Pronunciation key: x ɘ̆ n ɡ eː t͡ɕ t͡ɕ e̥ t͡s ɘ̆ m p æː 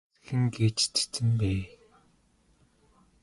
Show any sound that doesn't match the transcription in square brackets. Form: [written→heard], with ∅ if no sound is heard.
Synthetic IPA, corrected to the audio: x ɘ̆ [n→ŋ] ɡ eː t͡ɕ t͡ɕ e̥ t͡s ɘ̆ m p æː